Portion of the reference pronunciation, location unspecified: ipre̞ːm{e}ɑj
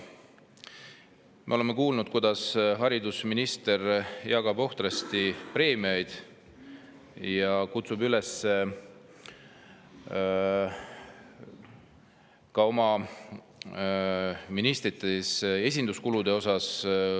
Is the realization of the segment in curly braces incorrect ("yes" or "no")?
yes